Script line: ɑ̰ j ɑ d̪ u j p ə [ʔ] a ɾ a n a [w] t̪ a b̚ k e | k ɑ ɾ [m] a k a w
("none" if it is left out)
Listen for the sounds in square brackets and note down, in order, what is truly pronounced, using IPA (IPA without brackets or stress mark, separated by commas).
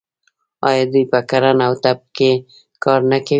k, w, n